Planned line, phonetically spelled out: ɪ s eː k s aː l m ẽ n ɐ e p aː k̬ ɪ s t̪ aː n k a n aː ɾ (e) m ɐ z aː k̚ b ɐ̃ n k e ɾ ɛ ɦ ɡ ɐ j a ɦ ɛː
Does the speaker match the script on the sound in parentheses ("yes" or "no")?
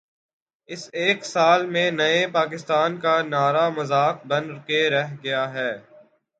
no